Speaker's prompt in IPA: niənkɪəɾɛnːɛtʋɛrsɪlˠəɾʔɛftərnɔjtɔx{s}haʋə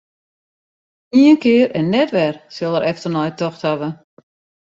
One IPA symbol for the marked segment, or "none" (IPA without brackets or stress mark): t